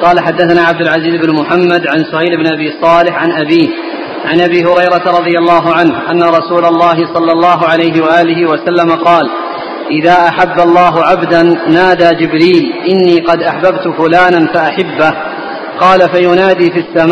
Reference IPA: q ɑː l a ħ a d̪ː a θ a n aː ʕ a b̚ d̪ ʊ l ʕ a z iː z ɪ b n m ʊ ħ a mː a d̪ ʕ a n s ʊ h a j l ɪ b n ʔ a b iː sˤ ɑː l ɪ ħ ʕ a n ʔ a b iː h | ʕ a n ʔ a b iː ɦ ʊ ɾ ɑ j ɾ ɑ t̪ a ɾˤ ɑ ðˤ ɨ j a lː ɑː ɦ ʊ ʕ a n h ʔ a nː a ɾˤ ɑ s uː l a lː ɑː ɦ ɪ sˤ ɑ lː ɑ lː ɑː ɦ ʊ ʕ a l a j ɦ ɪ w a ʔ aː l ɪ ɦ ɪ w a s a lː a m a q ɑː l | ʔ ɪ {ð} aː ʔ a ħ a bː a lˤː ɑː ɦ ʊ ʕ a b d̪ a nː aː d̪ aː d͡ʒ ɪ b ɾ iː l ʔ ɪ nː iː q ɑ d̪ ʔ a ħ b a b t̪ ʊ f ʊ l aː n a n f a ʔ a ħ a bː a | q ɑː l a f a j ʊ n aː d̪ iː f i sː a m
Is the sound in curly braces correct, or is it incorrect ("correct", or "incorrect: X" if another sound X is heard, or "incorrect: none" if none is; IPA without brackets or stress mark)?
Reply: correct